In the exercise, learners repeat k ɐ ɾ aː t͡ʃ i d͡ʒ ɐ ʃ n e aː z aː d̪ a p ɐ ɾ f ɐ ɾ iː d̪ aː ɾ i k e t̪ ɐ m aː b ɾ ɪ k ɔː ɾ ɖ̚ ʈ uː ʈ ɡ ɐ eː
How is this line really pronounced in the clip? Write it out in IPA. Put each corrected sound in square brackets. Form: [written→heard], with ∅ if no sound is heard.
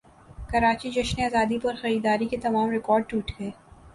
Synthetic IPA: k ɐ ɾ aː t͡ʃ i d͡ʒ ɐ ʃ n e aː z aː d̪ [a→i] p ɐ ɾ [f→x] ɐ ɾ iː d̪ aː ɾ i k e t̪ ɐ m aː [b→m] ɾ ɪ k ɔː ɾ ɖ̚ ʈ uː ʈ ɡ ɐ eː